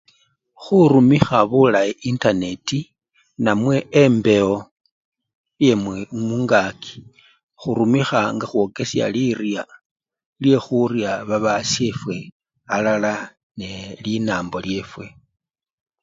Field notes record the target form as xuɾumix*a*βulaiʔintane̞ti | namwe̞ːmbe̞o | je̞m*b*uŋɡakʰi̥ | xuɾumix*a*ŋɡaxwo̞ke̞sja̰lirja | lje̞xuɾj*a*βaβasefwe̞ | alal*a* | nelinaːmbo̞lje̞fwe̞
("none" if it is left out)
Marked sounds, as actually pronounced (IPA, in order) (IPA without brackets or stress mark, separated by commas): a, m, a, a, a